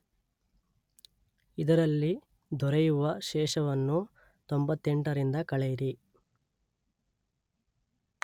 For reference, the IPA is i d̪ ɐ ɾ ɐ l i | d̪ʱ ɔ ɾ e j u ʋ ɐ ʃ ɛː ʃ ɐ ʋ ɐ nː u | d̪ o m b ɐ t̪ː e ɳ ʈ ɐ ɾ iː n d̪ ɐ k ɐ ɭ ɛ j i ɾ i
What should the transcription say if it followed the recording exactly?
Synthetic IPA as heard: i d̪ ɐ ɾ ɐ lː i | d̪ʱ ɔ ɾ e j u ʋ ɐ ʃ ɛː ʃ ɐ ʋ ɐ nː u | t̪ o m b ɐ t̪ː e ɳ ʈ ɐ ɾ i n d̪ ɐ k ɐ ɭ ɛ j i ɾ i